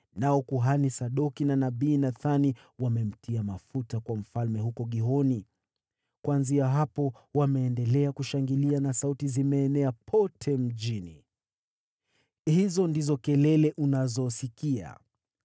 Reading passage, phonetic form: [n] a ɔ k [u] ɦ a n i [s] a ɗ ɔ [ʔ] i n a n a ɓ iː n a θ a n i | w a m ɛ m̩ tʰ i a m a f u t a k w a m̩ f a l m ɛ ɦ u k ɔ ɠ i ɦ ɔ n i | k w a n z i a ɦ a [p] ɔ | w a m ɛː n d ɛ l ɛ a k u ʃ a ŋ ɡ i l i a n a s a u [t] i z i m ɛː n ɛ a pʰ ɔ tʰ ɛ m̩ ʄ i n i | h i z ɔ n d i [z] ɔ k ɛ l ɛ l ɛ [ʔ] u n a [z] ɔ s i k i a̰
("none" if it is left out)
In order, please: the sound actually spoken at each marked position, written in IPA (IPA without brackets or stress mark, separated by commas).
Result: n, u, s, k, p, t, z, ʔ, z